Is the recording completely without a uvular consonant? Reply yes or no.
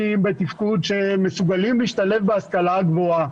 yes